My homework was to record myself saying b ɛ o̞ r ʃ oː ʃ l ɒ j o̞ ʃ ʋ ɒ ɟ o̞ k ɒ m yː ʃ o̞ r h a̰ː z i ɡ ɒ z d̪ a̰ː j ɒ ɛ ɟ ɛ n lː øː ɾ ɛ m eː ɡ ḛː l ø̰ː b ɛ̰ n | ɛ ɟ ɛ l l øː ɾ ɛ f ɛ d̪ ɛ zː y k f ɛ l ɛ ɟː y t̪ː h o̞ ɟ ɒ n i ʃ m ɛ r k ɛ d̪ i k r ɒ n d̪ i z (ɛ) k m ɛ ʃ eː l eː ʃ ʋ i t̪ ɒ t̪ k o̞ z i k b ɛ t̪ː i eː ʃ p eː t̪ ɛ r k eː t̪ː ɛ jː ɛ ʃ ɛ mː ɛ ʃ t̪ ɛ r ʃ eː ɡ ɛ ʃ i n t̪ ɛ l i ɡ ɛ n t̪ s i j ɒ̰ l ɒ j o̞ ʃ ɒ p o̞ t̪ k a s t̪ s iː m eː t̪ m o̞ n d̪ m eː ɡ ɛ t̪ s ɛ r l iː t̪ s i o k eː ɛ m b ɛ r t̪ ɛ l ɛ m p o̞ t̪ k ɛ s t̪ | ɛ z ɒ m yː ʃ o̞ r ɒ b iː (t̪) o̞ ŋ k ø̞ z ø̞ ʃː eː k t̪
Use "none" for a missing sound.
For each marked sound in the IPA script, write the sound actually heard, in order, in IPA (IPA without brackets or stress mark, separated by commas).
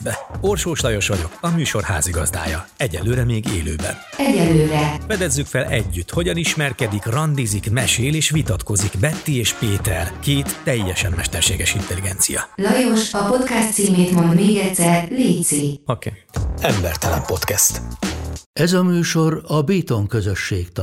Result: i, t̪